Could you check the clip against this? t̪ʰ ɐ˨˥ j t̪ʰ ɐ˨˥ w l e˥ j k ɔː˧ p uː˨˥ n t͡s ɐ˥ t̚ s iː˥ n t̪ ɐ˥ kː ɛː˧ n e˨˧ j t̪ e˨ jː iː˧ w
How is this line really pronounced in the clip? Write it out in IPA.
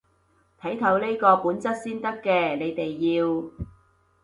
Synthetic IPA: t̪ʰ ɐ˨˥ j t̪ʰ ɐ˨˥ w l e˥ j k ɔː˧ p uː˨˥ n t͡s ɐ˥ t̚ s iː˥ n t̪ ɐ˥ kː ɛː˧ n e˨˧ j t̪ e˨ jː iː˧ w